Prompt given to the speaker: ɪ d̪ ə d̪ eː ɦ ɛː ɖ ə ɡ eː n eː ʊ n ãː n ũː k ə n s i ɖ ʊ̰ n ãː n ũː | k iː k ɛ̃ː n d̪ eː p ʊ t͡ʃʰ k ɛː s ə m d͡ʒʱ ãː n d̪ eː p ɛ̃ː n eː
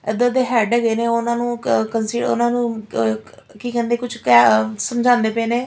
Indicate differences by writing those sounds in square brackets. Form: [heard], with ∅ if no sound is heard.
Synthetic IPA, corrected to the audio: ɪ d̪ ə d̪ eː ɦ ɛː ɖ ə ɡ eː n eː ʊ n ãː n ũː k ə n s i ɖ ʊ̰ n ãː n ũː | k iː k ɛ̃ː n d̪ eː [k] ʊ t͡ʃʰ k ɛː s ə m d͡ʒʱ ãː n d̪ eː p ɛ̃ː n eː